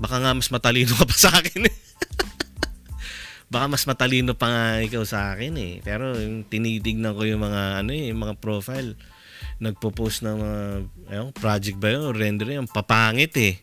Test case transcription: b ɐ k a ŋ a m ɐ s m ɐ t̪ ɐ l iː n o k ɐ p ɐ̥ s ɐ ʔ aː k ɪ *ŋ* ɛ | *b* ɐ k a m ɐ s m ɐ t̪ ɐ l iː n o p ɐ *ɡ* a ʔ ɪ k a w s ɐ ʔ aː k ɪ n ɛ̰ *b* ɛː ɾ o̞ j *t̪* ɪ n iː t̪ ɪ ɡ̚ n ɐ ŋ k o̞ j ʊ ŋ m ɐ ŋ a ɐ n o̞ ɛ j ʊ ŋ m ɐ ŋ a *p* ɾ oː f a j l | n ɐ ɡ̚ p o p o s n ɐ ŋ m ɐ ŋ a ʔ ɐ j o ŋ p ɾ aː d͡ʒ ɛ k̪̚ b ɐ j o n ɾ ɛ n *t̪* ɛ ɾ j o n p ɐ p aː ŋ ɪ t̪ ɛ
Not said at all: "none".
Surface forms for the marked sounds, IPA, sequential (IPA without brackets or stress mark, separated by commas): n, b, ŋ, p, t̪, p, d̪